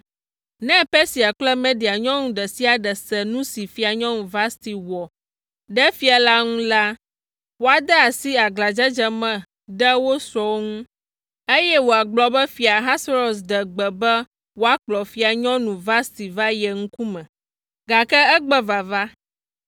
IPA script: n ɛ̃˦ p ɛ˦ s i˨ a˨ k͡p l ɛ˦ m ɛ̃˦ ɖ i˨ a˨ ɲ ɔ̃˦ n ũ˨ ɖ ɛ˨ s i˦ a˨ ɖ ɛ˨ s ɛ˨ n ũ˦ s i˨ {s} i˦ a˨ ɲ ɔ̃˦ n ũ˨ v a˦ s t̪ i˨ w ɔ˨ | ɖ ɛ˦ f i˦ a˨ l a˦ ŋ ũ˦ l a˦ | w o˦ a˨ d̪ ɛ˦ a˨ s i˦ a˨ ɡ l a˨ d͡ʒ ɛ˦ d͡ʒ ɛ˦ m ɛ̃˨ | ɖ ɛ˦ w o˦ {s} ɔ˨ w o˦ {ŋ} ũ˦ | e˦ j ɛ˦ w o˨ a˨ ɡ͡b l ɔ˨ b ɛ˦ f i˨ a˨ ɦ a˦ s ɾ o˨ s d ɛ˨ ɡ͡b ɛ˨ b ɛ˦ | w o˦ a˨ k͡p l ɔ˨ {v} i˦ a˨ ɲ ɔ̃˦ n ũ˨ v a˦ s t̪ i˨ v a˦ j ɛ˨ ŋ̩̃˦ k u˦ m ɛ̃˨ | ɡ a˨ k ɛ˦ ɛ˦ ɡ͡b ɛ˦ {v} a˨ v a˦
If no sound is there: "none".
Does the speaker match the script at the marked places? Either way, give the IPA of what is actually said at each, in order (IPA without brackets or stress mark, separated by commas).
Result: f, s, ŋ, f, v